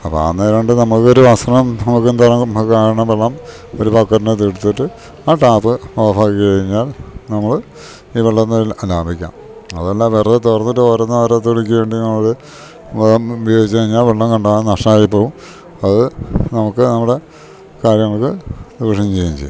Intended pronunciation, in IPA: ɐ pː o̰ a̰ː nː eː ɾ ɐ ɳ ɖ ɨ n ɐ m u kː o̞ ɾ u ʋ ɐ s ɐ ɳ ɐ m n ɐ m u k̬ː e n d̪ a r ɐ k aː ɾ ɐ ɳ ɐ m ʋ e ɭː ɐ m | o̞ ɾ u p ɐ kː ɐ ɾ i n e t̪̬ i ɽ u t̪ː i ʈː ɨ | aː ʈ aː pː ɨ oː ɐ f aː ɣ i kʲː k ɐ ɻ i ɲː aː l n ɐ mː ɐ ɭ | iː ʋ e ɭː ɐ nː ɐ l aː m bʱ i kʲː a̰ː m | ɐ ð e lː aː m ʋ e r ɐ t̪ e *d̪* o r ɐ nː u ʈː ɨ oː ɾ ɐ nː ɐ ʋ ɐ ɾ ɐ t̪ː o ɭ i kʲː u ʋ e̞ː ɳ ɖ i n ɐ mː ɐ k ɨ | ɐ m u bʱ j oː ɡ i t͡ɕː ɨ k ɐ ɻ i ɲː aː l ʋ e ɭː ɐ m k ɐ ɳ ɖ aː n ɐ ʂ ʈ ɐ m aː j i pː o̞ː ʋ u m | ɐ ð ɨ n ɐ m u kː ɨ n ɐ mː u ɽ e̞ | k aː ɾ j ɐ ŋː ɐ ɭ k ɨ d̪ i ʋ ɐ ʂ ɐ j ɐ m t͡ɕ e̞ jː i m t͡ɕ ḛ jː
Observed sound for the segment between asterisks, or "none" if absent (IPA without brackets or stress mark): t̪